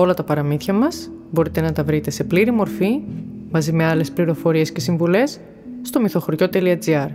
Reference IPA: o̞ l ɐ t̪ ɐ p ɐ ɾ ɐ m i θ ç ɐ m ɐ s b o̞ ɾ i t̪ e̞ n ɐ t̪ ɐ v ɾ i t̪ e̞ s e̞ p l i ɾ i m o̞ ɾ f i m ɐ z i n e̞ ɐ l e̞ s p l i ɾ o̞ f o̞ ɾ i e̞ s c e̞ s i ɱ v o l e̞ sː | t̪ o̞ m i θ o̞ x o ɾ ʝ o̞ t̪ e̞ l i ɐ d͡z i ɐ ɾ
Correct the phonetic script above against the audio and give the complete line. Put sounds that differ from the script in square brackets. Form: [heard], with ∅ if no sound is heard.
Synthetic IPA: o̞ l ɐ t̪ ɐ p ɐ ɾ ɐ m i θ ç ɐ m ɐ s b o̞ ɾ i t̪ e̞ n ɐ t̪ ɐ v ɾ i t̪ e̞ s e̞ p l i ɾ i m o̞ ɾ f i m ɐ z i [m] e̞ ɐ l e̞ s p l i ɾ o̞ f o̞ ɾ i e̞ s c e̞ s i ɱ v [u] l e̞ sː | t̪ o̞ m i θ o̞ x o ɾ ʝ o̞ t̪ e̞ l i ɐ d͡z i ɐ ɾ